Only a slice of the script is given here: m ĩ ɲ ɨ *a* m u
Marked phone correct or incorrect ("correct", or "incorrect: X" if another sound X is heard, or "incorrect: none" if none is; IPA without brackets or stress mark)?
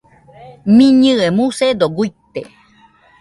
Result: incorrect: e